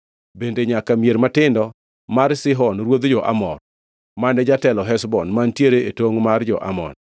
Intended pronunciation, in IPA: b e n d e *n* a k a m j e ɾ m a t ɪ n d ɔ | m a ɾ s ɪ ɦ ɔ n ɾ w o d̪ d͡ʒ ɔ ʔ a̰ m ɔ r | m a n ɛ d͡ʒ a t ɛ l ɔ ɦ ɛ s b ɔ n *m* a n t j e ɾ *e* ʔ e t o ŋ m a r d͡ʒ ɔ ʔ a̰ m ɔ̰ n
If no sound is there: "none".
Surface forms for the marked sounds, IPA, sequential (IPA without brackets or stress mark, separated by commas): ɲ, m, e